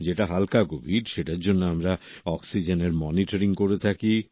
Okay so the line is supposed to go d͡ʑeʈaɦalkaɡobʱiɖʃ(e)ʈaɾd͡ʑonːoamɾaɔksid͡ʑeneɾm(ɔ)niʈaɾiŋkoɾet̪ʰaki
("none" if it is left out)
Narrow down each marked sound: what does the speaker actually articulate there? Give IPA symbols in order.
e, ɔ

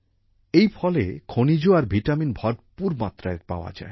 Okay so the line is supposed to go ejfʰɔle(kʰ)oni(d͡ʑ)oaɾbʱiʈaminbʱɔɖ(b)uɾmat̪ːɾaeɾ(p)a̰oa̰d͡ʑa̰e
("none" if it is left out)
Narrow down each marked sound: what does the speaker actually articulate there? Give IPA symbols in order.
kʰ, d͡ʑ, p, p

